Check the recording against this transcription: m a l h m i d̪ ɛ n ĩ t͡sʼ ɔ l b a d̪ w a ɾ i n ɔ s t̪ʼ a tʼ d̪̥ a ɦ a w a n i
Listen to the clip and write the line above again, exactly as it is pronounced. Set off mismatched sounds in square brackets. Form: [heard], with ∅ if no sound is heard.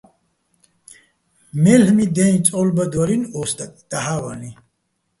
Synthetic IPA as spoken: m [ɛ] l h m i d̪ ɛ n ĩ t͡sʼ ɔ l b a d̪ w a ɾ i n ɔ s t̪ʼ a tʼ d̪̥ a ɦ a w a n i